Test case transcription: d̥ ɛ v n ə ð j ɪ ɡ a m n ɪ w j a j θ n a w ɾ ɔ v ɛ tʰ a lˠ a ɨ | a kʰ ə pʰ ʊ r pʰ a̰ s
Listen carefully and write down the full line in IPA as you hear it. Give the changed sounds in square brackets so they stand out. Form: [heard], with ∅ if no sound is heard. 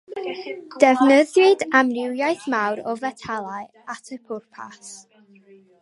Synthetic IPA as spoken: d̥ ɛ v n ə ð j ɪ [d] a m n ɪ w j a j θ [m] a w ɾ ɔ v ɛ tʰ a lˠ a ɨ | a [tʰ] ə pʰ ʊ r pʰ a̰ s